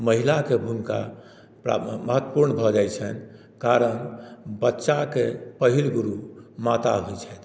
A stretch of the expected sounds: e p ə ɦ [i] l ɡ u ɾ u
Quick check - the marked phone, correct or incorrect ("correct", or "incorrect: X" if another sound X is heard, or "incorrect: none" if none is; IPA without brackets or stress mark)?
correct